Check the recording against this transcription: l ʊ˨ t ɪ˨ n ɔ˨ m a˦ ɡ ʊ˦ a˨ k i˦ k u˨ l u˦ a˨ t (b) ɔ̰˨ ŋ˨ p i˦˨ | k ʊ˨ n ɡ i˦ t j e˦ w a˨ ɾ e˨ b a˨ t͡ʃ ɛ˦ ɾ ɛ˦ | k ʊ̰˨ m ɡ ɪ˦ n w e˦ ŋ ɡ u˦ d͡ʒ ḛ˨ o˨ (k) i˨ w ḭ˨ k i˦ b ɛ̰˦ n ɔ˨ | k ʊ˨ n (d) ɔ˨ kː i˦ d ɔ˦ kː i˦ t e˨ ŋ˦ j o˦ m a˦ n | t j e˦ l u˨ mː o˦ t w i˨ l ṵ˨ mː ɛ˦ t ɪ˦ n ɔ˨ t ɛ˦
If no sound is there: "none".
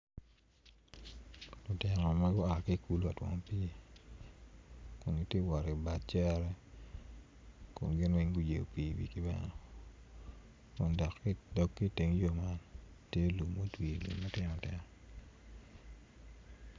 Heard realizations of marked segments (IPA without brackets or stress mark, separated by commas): w, p, d